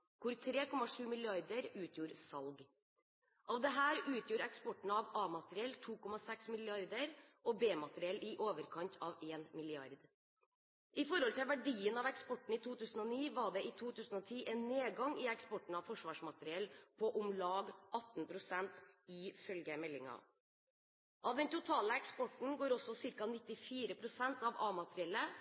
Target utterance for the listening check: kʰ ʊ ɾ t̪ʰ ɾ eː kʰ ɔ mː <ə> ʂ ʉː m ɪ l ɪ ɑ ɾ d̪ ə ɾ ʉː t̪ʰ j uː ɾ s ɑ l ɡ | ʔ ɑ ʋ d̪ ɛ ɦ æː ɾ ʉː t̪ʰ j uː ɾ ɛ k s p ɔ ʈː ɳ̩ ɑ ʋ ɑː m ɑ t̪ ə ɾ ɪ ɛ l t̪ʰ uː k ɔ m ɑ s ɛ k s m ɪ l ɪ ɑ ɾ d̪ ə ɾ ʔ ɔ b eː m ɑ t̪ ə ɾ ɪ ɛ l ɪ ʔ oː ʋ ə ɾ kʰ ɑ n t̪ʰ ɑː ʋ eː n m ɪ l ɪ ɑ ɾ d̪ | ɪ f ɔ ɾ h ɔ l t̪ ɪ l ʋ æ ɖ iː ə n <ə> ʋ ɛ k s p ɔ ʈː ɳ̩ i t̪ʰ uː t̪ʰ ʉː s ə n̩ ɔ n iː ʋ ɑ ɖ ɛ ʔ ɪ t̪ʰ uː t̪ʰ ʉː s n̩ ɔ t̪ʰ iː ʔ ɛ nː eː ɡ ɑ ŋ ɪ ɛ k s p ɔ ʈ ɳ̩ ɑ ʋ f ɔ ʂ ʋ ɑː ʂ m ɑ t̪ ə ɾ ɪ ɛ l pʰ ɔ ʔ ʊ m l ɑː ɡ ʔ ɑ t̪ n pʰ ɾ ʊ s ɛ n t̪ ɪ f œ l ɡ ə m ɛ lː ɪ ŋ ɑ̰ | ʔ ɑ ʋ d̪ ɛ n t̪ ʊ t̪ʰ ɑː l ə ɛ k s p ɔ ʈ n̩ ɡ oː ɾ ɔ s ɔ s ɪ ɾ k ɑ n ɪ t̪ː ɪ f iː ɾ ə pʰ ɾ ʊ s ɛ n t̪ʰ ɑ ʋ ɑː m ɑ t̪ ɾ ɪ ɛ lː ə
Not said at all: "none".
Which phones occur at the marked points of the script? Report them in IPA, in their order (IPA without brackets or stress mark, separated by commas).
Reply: ɑ, ɑ